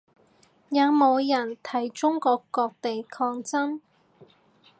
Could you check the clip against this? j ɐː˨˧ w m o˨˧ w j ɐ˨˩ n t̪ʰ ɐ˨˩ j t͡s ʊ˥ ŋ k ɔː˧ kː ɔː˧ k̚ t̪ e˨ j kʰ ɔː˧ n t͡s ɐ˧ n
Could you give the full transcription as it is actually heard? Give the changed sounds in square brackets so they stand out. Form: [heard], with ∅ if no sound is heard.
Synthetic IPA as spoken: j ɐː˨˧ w m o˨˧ w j ɐ˨˩ n t̪ʰ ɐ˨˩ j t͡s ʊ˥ ŋ k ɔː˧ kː ɔː˧ k̚ t̪ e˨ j kʰ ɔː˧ [ŋ] t͡s [ɐ˥] n